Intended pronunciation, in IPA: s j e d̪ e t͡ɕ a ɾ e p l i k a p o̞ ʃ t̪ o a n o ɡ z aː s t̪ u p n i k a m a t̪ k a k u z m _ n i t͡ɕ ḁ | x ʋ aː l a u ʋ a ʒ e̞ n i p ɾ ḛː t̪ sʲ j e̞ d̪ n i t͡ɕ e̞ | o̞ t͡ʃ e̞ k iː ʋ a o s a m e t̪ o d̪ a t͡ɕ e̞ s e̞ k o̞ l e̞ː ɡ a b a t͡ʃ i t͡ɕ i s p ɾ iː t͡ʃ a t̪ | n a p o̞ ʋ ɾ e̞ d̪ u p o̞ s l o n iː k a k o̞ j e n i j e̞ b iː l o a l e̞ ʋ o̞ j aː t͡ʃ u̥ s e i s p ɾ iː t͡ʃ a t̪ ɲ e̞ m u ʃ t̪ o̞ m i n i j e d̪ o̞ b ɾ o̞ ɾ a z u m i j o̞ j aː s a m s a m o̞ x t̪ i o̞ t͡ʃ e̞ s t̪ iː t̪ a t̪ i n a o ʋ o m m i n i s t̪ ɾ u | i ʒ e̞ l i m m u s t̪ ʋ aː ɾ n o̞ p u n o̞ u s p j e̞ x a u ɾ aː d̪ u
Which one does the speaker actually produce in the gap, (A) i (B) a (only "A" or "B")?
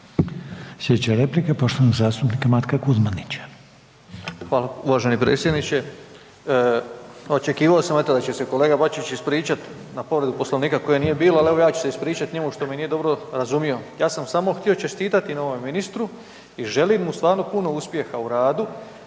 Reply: B